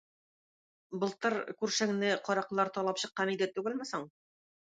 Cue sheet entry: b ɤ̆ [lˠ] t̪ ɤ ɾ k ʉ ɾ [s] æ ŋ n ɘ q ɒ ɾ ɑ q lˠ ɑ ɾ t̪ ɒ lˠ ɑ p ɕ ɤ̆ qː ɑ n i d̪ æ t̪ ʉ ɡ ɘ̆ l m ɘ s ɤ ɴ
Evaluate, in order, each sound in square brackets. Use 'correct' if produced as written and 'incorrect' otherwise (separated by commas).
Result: correct, incorrect